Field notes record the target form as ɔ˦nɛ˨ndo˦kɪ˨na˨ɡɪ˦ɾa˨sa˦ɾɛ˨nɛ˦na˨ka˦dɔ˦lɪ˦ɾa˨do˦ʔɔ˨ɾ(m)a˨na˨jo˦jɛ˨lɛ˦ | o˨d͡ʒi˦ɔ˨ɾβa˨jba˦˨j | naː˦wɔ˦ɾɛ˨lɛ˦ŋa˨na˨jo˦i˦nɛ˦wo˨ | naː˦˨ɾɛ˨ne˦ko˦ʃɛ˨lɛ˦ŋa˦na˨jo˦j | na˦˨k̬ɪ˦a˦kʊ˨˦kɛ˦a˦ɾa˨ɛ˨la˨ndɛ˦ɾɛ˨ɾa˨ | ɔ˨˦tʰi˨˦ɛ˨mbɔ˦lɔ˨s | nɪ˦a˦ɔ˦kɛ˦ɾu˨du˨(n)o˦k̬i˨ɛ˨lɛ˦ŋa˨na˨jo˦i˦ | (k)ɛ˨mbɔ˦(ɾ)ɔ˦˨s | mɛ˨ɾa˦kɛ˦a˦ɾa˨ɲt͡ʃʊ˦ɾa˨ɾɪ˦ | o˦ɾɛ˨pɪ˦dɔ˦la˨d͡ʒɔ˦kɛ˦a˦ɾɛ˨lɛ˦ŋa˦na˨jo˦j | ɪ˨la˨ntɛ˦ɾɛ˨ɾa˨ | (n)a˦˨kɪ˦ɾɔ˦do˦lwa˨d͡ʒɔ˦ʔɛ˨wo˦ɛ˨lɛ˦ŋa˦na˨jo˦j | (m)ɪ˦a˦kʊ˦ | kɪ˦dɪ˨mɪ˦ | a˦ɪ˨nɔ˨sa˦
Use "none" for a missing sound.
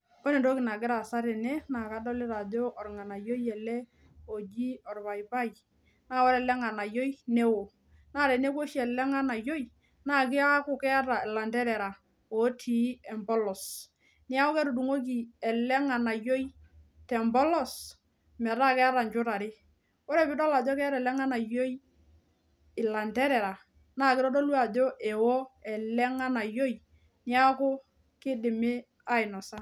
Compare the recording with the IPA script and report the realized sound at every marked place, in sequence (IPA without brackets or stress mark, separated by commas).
ŋ, ŋ, t, l, n, n